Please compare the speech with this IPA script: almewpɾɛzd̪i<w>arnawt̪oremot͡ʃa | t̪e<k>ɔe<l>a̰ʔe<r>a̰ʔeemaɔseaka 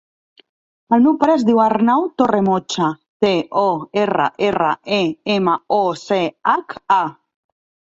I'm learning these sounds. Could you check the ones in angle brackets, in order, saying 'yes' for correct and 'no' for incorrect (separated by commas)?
yes, no, no, yes